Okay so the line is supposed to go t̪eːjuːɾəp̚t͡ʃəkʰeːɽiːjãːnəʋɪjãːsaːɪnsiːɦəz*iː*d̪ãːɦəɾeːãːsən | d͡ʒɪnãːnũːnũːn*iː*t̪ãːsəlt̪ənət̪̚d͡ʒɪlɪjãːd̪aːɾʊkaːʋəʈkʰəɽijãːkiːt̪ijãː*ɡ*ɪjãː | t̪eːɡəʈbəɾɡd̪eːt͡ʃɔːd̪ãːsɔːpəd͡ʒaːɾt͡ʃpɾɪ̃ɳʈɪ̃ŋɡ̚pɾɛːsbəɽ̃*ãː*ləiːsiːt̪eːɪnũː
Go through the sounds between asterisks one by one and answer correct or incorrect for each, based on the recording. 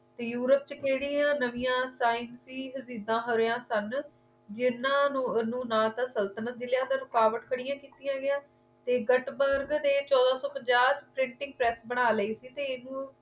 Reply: correct, incorrect, correct, incorrect

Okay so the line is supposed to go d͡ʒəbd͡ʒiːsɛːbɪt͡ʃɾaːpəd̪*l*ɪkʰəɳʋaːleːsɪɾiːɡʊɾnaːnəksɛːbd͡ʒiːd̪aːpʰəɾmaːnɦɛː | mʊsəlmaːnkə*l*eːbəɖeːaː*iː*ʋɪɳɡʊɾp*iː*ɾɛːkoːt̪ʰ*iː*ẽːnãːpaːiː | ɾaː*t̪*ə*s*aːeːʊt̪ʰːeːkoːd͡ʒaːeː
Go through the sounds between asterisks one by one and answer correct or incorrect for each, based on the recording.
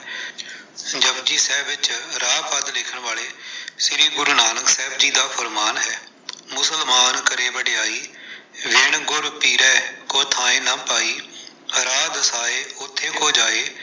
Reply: correct, incorrect, correct, correct, incorrect, incorrect, correct

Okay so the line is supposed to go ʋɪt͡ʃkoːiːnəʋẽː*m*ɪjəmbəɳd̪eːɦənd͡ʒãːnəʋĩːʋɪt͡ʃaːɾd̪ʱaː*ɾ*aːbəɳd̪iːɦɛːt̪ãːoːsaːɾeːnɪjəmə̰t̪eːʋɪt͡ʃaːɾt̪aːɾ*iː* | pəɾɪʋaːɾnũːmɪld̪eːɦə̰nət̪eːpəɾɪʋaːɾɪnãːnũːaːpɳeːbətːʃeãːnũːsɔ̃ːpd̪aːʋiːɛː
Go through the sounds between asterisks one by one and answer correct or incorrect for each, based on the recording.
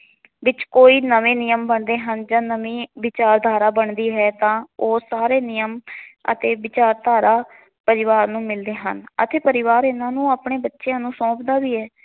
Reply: incorrect, correct, incorrect

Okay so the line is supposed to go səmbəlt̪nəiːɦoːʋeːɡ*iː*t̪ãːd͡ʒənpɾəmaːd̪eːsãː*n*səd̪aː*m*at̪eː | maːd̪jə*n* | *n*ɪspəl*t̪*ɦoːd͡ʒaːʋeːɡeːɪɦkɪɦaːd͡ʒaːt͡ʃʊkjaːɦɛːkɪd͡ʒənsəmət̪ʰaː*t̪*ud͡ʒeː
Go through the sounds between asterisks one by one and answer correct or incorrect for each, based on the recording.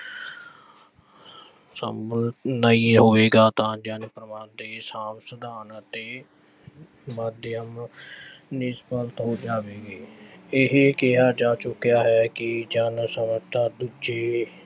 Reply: incorrect, incorrect, incorrect, incorrect, correct, correct, incorrect

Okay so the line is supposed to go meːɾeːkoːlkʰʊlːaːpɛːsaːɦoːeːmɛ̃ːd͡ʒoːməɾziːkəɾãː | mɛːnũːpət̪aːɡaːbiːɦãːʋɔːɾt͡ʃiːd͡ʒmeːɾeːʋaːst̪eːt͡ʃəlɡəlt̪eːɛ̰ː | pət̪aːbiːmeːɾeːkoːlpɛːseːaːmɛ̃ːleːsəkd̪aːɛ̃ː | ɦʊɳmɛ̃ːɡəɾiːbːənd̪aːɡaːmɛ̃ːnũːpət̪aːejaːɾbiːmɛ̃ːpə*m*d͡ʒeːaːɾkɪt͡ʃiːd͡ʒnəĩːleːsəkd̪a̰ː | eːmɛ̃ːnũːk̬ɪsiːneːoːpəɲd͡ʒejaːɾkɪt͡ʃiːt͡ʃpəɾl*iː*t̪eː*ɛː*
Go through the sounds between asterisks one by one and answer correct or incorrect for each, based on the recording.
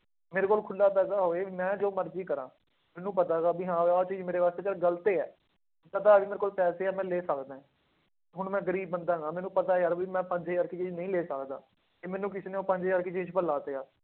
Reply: incorrect, incorrect, incorrect

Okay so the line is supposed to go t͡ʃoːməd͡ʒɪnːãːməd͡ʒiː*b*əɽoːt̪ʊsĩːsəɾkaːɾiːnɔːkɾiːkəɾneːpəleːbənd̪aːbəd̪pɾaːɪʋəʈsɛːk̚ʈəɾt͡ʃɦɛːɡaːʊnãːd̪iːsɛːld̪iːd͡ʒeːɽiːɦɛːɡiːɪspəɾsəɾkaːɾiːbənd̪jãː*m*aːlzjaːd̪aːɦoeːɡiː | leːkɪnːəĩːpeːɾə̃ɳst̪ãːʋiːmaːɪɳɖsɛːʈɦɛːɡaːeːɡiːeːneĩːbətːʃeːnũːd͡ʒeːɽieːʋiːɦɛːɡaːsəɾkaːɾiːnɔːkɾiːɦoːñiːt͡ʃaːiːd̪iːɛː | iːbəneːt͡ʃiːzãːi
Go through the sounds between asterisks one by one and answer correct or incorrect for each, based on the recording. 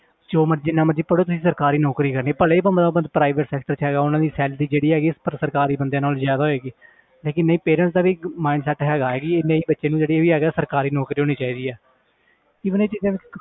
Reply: incorrect, incorrect

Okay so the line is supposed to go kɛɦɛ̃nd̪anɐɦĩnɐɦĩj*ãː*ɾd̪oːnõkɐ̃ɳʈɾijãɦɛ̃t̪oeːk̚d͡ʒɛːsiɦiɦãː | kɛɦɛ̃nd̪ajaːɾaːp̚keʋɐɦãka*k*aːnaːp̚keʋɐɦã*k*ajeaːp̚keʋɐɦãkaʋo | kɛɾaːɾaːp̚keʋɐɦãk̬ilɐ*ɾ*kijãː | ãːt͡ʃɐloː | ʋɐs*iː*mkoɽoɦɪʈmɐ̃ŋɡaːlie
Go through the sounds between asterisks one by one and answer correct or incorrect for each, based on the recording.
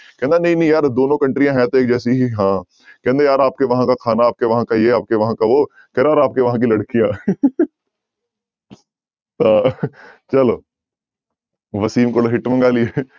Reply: incorrect, incorrect, correct, incorrect, correct

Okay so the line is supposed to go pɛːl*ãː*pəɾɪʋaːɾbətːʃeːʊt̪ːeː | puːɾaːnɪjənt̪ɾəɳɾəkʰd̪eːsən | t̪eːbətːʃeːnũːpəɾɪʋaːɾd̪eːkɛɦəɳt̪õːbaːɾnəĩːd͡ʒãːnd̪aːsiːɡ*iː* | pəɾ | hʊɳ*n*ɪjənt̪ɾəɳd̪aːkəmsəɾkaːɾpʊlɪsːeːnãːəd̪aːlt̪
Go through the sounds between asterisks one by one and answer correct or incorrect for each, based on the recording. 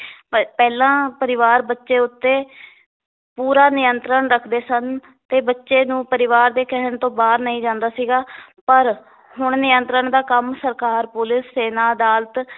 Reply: correct, incorrect, correct

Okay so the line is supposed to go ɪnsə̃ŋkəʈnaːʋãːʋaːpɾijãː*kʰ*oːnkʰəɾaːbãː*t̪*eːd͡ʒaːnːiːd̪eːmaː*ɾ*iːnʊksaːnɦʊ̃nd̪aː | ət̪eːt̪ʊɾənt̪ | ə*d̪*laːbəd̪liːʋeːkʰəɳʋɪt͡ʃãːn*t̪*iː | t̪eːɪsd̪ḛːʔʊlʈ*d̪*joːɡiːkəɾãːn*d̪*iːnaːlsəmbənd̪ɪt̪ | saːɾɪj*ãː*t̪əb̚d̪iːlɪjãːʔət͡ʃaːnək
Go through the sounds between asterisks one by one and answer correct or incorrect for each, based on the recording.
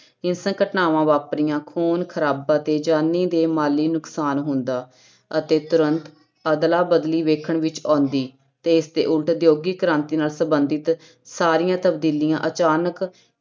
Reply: correct, correct, incorrect, correct, incorrect, correct, incorrect, correct

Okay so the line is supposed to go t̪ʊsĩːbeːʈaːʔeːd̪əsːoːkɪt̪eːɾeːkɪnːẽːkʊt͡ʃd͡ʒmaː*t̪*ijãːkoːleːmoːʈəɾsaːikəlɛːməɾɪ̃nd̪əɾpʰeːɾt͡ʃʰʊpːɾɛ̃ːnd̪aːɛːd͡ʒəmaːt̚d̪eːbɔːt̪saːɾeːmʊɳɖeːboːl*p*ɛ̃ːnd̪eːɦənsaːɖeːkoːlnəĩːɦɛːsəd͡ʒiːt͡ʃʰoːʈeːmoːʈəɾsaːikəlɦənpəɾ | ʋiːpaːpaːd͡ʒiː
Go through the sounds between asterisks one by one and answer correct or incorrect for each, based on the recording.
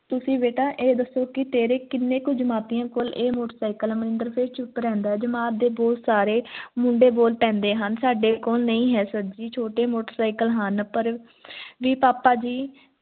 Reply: correct, correct

